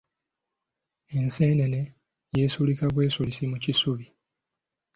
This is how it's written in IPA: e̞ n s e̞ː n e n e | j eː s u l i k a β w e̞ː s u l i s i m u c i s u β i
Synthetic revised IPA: e̞ n s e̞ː n e n e | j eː s u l i k a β w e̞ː s u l i s i m u c i s u β i